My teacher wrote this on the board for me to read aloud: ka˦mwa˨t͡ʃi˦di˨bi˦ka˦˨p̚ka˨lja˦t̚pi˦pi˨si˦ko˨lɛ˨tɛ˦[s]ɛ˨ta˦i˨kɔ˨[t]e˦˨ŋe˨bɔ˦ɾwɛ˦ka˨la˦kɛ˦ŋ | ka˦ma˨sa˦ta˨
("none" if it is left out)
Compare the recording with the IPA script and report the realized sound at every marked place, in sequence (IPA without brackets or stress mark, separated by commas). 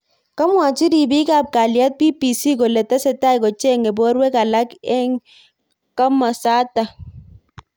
s, t͡ʃ